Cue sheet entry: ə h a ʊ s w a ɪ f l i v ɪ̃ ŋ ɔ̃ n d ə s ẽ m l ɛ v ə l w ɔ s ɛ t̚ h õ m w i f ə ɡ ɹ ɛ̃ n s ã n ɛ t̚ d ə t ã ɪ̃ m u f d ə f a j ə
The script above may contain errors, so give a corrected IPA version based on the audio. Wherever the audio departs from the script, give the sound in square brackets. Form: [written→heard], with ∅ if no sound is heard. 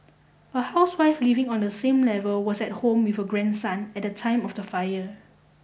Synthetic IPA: ə h a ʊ s w a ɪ f l i v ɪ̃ ŋ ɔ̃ n d ə s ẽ m l ɛ v ə l w ɔ s ɛ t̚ h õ m w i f ə ɡ ɹ ɛ̃ n s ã n ɛ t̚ d ə [t→tʰ] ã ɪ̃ m [u→ɔ] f d ə f a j ə